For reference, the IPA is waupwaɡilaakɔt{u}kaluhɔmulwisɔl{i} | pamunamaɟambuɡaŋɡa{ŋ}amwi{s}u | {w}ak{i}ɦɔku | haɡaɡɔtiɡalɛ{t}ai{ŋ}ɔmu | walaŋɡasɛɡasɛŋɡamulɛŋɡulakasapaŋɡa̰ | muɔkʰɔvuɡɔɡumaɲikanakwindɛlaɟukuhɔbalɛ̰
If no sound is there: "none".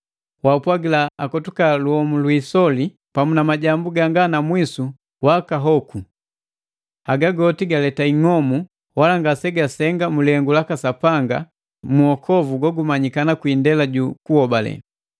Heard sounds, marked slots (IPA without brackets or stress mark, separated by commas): u, i, n, s, w, a, t, ŋ